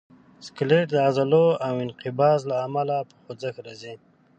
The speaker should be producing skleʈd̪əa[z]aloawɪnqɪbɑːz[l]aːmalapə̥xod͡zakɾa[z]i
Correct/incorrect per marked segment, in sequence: correct, correct, correct

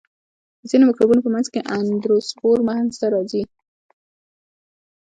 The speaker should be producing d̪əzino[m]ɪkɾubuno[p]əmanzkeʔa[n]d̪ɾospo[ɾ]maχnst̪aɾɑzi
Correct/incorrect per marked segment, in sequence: correct, correct, correct, correct

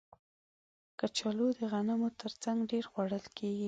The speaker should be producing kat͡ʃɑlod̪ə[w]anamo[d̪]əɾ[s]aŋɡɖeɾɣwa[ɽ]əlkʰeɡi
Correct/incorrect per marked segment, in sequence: incorrect: ɣ, incorrect: t̪, incorrect: t͡s, correct

